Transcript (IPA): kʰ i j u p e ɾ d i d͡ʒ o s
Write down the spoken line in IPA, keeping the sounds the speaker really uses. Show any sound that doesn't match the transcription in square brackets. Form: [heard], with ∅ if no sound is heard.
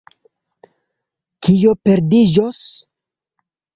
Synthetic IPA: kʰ i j [o] p e ɾ d i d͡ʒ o s